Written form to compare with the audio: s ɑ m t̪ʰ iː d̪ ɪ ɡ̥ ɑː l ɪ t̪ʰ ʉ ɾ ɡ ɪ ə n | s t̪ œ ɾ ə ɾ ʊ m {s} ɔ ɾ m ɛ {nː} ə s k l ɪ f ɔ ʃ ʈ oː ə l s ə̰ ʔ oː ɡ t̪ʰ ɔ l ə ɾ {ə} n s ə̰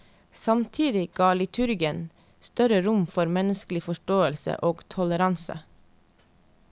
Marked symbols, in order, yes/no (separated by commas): no, no, no